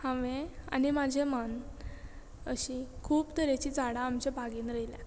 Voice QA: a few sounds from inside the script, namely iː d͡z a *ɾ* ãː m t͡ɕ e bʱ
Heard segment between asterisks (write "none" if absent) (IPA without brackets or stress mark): ɽ